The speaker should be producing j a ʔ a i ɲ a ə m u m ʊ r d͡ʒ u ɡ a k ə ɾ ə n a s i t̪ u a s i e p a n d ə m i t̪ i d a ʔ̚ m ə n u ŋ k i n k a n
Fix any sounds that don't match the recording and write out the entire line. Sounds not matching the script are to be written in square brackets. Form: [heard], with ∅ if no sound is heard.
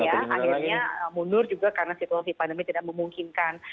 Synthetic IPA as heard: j a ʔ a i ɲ a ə m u [n] ʊ r d͡ʒ u ɡ a k [a] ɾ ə n a s i t̪ u a s i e p a n d ə m i t̪ i d a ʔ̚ m ə [m] u ŋ k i n k a n